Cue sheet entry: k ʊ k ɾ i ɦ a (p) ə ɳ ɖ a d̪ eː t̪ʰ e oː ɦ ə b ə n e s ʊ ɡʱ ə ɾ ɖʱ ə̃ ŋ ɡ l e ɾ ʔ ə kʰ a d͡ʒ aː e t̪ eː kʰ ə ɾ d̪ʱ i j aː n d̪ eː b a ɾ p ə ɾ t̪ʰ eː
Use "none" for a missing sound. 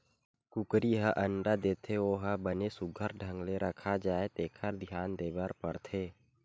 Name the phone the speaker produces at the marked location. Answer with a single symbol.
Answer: ʔ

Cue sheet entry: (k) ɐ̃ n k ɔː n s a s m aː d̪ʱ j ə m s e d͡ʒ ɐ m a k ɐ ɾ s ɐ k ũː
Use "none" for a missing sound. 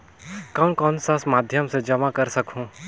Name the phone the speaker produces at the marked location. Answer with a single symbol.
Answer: k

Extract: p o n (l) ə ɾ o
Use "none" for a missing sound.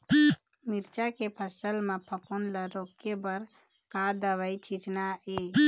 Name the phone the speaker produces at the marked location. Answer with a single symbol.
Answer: l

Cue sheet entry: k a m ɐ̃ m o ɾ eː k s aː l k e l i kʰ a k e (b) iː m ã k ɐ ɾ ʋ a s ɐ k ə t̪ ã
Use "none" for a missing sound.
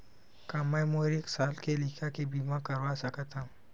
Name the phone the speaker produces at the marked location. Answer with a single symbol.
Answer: b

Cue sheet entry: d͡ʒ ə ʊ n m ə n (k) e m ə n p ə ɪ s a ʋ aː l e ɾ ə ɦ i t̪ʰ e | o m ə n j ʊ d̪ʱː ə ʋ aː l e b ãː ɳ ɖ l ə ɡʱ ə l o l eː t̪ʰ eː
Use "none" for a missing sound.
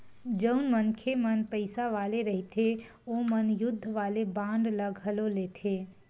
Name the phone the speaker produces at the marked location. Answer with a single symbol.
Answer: kʰ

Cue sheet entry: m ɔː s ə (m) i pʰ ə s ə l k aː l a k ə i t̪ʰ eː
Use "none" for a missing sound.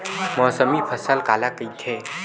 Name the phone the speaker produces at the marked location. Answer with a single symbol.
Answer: m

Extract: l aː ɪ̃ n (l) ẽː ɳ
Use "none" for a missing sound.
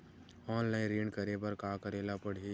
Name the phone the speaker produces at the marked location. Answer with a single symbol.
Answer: ɾ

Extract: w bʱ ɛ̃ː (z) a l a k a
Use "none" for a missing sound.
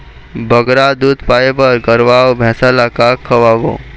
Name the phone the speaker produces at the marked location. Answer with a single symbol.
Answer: s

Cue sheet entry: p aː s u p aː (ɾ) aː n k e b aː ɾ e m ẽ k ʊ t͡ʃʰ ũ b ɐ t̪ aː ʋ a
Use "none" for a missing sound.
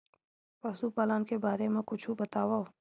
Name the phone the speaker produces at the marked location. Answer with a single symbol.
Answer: l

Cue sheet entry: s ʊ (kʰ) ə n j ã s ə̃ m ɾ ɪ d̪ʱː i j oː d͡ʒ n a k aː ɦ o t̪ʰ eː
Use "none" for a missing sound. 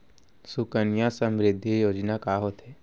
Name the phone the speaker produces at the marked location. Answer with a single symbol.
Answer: k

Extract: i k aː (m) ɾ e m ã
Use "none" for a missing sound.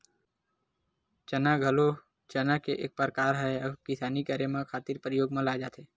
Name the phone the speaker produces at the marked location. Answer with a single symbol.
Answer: none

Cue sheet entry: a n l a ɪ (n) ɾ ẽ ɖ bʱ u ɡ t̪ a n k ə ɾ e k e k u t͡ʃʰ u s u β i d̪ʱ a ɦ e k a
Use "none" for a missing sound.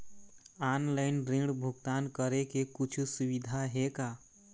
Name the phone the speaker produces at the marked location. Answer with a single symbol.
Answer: n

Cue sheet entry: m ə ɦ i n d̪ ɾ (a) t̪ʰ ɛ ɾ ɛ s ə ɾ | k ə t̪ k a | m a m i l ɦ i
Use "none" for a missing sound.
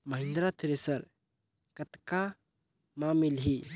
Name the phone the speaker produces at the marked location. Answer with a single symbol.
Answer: a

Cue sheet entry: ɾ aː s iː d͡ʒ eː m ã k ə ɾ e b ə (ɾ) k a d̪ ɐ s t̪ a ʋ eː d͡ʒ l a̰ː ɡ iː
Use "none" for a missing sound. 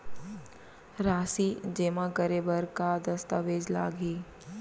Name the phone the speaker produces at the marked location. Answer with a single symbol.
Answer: ɾ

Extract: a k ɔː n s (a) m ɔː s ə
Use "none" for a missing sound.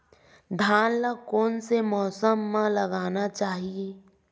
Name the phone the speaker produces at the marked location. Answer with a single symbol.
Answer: e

